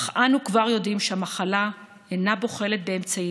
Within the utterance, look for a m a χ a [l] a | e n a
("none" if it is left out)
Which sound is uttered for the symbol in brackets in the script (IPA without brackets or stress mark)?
l